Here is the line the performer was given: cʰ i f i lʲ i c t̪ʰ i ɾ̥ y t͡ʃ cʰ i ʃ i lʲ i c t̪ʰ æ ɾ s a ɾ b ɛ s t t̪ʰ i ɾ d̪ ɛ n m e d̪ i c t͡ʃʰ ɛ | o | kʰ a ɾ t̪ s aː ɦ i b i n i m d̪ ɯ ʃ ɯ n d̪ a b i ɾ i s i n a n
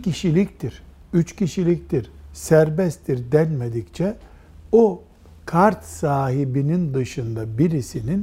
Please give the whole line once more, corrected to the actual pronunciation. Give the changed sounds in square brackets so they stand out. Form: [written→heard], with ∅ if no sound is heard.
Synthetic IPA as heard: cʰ i [f→ʃ] i lʲ i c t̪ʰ i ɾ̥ y t͡ʃ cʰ i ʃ i lʲ i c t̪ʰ [æ→i] ɾ s [a→æ] ɾ b ɛ s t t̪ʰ i ɾ d̪ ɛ n m e d̪ i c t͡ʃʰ ɛ | o | kʰ a ɾ t̪ s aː ɦ i b i n i [m→n] d̪ ɯ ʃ ɯ n d̪ a b i ɾ i s i n [a→i] n